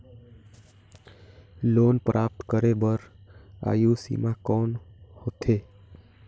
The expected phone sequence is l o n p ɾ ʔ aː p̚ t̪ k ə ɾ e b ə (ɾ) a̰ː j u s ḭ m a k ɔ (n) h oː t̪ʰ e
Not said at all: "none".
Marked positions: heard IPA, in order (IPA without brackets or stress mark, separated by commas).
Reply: ɾ, n